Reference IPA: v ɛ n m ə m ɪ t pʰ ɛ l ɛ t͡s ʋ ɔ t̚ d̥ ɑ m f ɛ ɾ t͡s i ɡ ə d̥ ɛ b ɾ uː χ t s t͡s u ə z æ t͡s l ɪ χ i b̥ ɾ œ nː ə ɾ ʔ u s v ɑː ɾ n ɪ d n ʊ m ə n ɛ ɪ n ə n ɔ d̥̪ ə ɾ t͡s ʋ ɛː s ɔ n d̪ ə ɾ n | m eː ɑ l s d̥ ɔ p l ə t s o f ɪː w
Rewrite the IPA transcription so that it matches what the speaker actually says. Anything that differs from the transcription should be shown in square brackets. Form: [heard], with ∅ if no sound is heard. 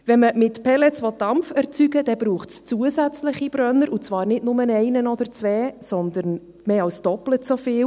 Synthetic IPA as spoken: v ɛ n m ə m ɪ t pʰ ɛ l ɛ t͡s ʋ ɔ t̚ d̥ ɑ m f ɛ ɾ t͡s [y] ɡ ə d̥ ɛ b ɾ uː χ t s t͡s u ə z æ t͡s l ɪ χ i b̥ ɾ œ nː ə ɾ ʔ u [t͡s] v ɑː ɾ n ɪ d n ʊ m ə n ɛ ɪ n ə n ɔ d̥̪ ə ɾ t͡s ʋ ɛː s ɔ n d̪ ə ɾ n | m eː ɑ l s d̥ ɔ p l ə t s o f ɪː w